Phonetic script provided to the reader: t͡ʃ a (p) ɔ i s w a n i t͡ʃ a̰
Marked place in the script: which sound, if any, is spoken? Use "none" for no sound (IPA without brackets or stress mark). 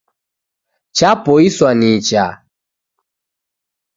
p